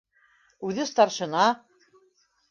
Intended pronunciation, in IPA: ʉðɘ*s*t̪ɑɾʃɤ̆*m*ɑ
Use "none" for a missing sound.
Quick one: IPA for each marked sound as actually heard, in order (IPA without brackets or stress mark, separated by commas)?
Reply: s, n